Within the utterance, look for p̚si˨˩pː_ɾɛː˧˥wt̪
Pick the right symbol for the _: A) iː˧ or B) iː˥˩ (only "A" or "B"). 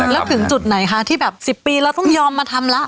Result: A